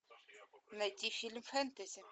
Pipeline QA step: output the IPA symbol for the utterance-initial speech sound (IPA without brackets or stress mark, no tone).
n